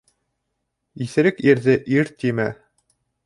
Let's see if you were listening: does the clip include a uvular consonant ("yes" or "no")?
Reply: no